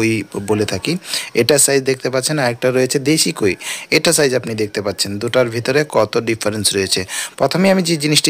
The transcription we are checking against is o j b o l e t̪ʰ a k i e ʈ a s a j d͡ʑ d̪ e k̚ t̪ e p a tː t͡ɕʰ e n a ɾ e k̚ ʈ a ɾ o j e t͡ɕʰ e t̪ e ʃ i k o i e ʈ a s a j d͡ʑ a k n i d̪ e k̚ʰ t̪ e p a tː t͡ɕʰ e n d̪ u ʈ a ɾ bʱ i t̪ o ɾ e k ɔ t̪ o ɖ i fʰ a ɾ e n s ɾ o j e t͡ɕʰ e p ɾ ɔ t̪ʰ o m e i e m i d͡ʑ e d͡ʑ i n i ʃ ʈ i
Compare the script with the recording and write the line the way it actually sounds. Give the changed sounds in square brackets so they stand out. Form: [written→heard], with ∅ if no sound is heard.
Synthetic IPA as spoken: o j b o l e t̪ʰ a k i e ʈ a s a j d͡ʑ d̪ e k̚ t̪ e p a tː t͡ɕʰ e n a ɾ e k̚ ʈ a ɾ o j e t͡ɕʰ e [t̪→d̪] e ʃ i k o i e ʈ a s a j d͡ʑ a [k→p] n i d̪ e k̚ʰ t̪ e p a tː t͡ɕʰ e n d̪ u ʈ a ɾ bʱ i t̪ o ɾ e k ɔ t̪ o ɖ i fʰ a ɾ e n s ɾ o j e t͡ɕʰ e p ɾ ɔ t̪ʰ o m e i [e→a] m i d͡ʑ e d͡ʑ i n i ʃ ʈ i